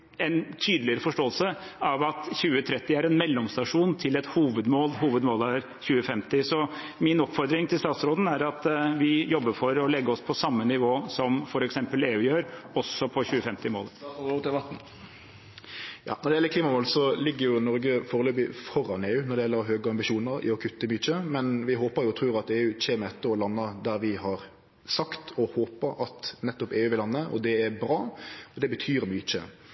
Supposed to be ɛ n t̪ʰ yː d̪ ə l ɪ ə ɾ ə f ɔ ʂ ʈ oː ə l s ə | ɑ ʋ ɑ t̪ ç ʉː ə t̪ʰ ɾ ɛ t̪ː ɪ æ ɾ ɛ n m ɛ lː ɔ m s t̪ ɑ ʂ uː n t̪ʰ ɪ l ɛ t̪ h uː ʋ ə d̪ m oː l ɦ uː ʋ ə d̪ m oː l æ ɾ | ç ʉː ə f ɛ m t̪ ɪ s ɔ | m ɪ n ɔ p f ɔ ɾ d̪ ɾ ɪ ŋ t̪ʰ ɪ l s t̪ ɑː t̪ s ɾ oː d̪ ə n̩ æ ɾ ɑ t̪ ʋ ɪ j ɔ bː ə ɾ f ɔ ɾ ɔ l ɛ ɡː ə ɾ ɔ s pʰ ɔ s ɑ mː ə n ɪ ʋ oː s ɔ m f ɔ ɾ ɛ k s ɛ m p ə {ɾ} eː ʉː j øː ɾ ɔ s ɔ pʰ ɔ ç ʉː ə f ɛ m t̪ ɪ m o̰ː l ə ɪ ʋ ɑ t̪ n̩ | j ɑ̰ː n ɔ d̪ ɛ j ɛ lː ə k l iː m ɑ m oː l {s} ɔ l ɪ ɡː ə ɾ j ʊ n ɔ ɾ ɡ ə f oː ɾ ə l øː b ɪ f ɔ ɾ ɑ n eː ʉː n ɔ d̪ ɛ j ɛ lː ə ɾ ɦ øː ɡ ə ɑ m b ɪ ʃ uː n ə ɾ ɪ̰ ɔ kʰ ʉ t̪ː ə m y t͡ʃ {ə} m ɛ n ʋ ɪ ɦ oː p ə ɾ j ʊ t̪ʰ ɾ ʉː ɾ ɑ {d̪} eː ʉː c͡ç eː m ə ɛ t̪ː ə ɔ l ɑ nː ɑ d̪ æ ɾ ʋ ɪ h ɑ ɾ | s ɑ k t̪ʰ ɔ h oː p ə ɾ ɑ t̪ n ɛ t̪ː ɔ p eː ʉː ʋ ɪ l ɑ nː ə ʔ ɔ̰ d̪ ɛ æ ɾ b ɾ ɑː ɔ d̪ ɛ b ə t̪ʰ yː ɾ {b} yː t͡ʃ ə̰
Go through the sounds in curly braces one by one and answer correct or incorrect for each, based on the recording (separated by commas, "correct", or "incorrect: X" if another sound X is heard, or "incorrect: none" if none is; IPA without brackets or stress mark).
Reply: incorrect: l, correct, correct, incorrect: t̪, incorrect: m